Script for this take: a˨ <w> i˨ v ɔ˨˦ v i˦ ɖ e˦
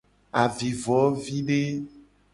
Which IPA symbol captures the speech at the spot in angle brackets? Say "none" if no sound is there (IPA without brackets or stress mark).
v